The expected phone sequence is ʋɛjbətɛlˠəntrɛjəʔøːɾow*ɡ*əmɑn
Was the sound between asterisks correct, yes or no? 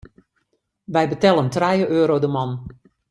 no